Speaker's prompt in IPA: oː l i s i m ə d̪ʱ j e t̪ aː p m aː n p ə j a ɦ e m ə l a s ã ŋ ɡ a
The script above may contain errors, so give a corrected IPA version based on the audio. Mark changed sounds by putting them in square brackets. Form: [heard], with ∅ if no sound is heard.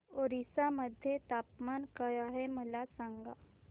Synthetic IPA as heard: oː [ɾ] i s [a] m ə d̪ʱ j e t̪ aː p m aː n [k] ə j a ɦ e m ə l a s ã ŋ ɡ a